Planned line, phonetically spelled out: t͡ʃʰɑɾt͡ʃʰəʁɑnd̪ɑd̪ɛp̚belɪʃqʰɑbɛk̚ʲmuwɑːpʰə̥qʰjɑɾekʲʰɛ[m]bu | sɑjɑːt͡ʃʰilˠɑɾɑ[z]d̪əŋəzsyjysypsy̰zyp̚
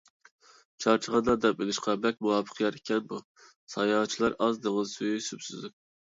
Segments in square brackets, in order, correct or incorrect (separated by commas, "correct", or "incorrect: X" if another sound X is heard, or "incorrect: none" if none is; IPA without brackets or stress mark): incorrect: n, correct